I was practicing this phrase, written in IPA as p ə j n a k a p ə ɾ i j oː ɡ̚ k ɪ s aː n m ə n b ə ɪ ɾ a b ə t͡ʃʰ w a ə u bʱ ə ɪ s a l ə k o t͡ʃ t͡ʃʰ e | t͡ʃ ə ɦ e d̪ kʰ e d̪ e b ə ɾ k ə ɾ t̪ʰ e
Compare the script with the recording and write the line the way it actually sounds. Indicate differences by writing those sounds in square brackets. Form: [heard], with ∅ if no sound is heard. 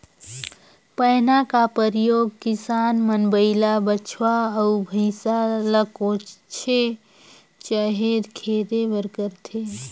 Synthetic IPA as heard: p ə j n a k a p ə ɾ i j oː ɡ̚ k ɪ s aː n m ə n b ə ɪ [l] a b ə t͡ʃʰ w a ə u bʱ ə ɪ s a l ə k o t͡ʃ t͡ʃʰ e | t͡ʃ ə ɦ e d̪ kʰ e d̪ e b ə ɾ k ə ɾ t̪ʰ e